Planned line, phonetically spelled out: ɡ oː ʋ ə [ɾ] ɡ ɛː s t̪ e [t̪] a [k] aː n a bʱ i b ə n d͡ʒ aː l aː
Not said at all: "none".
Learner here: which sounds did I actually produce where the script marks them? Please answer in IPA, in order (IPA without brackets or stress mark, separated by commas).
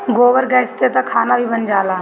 ɾ, t̪, kʰ